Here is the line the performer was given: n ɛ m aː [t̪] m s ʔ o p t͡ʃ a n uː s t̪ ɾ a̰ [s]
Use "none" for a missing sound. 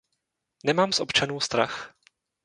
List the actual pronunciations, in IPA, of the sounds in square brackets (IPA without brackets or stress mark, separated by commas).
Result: none, x